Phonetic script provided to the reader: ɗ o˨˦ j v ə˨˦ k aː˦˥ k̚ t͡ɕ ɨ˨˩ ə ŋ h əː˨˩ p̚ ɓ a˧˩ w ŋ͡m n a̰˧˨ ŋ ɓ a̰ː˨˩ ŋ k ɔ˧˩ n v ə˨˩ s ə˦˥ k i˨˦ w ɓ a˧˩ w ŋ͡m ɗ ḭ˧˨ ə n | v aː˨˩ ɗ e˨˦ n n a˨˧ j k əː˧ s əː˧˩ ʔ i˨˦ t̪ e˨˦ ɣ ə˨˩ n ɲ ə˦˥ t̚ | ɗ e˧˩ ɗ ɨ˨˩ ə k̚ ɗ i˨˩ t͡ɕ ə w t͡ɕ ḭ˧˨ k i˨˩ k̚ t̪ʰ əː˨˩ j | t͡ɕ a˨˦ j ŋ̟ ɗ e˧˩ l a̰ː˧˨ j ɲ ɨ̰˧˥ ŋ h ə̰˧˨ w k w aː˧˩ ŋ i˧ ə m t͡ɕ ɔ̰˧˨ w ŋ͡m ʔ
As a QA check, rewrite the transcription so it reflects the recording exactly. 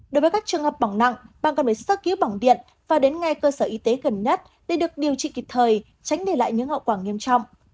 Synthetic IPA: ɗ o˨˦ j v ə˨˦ k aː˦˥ k̚ t͡ɕ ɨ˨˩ ə ŋ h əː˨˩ p̚ ɓ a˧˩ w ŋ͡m n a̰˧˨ ŋ ɓ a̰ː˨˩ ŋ k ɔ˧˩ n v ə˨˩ s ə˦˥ k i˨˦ w ɓ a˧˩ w ŋ͡m ɗ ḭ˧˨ ə n | v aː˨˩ ɗ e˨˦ n ŋ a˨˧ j k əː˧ s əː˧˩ ʔ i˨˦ t̪ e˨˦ ɣ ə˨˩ n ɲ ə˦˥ t̚ | ɗ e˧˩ ɗ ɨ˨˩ ə k̚ ɗ i˨˩ ə w t͡ɕ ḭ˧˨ k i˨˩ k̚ t̪ʰ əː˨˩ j | t͡ɕ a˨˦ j ŋ̟ ɗ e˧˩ l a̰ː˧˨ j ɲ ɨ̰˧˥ ŋ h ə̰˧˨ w k w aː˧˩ ŋ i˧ ə m t͡ɕ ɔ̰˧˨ w ŋ͡m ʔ